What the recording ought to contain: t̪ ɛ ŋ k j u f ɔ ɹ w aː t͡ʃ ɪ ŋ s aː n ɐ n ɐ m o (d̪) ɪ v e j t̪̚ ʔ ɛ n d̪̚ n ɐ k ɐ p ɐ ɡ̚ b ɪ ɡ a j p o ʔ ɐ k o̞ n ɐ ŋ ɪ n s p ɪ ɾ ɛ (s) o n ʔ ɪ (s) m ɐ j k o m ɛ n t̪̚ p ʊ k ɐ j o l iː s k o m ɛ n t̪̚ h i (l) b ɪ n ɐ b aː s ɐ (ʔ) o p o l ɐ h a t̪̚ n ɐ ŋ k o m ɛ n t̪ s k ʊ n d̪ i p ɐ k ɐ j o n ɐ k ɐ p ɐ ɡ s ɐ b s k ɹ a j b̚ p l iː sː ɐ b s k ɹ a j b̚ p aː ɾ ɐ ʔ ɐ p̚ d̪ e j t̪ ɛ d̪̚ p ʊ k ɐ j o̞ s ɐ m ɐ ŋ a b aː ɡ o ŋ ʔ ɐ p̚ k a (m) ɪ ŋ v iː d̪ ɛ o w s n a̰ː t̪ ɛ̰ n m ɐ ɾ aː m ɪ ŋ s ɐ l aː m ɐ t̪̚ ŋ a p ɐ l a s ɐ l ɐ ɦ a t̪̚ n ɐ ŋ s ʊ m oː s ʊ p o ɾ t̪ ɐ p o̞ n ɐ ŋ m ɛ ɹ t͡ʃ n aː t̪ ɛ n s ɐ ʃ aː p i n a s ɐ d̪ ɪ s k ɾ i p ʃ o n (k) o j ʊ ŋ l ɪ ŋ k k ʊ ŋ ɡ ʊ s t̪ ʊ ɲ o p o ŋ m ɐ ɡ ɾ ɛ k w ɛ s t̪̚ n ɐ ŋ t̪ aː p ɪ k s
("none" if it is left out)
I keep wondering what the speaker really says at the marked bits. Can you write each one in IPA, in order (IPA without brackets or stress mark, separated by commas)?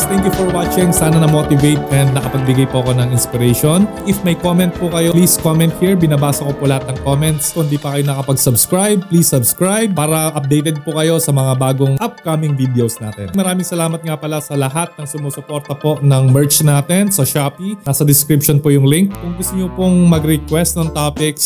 t̪, ʃ, f, ɹ, k, m, p